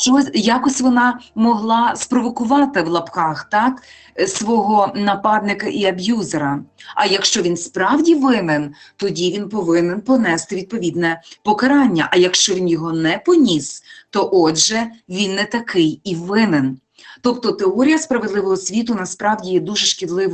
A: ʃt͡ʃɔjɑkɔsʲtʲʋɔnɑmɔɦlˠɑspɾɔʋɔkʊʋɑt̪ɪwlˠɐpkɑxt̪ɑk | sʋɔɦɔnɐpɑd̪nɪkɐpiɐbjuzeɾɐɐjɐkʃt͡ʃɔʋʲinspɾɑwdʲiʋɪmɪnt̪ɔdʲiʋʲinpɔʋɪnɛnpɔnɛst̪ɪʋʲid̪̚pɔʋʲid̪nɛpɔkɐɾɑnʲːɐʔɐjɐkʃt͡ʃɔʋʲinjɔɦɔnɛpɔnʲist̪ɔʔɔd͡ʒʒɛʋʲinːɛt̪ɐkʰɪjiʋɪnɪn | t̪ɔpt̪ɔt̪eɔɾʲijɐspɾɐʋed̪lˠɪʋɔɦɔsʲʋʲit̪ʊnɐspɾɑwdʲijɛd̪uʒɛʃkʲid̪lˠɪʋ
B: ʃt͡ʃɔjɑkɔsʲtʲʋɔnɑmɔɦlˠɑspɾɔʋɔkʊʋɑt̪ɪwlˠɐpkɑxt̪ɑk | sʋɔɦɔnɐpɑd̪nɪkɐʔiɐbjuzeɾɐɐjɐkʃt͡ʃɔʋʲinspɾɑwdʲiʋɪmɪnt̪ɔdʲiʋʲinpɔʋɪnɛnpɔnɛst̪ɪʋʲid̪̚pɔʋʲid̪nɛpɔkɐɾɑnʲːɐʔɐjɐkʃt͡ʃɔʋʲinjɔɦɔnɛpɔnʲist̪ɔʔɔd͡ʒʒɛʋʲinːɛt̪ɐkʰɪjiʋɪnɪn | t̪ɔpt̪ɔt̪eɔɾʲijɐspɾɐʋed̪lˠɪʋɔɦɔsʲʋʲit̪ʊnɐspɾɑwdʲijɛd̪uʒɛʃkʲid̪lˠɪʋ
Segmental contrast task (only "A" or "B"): B